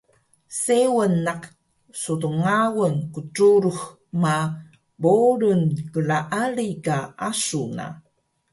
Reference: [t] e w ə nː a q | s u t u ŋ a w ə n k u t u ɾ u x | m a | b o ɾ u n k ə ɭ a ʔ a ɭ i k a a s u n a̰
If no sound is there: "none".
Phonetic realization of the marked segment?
s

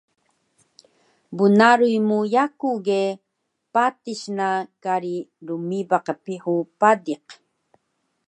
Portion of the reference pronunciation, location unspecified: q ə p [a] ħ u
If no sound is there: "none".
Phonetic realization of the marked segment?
i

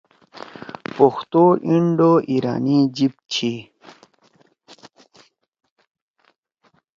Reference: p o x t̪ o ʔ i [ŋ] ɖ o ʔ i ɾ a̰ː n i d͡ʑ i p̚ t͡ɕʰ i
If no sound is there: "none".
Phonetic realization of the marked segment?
ɳ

